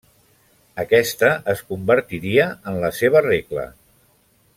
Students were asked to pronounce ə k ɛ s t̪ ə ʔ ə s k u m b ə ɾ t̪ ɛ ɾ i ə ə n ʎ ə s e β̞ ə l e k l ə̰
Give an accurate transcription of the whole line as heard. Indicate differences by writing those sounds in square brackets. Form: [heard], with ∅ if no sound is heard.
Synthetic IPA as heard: ə k ɛ s t̪ ə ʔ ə s k u m b ə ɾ t̪ [i] ɾ i ə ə n [l] ə s e β̞ ə [r] e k l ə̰